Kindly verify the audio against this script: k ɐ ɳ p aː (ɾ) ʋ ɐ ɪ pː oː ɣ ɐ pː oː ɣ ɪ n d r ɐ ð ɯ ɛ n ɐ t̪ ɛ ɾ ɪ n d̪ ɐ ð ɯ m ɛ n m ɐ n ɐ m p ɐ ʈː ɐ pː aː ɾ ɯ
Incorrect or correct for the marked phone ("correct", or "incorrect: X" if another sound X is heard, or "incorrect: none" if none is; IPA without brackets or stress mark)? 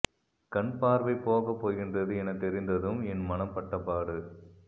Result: correct